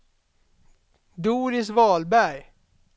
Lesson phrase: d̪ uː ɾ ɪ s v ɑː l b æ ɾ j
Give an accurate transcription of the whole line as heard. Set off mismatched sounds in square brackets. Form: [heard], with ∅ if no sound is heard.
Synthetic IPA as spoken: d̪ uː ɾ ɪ s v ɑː l b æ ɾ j